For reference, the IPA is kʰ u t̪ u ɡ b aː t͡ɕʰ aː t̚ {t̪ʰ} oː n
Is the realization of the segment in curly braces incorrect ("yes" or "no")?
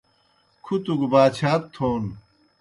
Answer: no